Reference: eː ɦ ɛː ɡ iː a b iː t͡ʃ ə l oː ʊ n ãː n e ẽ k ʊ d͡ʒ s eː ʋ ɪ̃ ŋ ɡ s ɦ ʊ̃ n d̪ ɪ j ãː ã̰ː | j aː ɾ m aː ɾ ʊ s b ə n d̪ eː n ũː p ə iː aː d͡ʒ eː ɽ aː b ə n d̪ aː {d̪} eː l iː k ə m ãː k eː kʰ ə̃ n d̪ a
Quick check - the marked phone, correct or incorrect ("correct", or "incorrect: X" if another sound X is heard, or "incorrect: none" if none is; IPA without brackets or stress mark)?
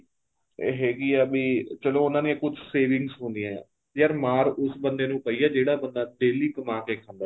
correct